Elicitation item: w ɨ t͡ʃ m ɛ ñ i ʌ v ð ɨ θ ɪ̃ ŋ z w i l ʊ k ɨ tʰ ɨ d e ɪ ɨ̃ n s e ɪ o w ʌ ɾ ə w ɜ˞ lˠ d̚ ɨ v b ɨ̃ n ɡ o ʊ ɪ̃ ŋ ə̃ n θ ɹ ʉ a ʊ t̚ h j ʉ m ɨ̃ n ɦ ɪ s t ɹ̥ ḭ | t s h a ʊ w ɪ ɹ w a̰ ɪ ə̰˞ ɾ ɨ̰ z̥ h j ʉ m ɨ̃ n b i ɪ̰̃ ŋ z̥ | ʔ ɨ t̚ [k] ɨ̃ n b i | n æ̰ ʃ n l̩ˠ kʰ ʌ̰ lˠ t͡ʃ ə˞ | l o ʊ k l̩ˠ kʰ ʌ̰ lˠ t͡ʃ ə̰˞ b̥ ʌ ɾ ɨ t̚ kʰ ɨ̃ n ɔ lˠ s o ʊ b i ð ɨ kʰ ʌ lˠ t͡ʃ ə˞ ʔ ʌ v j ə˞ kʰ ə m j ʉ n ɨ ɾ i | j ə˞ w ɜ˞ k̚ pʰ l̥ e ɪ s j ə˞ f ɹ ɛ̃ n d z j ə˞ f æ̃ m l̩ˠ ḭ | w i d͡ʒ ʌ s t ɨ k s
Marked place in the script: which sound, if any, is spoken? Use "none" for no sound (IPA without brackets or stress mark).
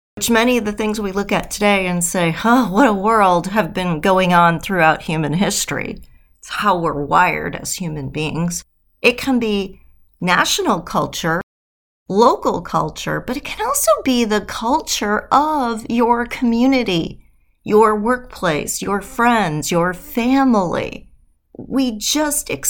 kʰ